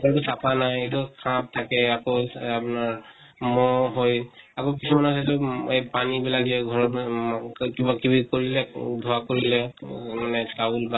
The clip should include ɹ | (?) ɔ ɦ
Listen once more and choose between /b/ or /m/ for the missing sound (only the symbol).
m